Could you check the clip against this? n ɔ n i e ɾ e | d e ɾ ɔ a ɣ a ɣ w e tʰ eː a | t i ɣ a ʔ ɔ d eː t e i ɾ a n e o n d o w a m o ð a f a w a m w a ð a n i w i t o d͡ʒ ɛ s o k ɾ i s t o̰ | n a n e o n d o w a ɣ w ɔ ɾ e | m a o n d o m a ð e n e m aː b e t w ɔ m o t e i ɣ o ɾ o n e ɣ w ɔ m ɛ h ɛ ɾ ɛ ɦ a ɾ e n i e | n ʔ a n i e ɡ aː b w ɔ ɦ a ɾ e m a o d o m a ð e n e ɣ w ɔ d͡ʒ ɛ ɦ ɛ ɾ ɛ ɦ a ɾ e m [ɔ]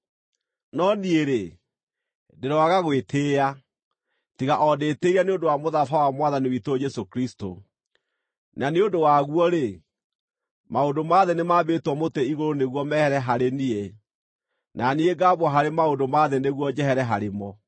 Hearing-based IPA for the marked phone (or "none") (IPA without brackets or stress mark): ɔ